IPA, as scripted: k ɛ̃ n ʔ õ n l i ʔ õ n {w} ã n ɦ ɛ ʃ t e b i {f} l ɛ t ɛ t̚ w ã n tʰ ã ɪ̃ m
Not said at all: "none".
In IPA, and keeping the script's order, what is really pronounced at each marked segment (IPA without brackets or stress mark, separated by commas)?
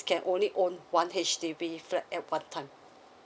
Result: w, f